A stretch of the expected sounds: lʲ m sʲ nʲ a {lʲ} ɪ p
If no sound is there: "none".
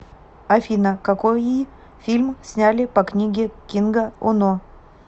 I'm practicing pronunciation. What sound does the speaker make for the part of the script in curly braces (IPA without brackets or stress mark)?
lʲ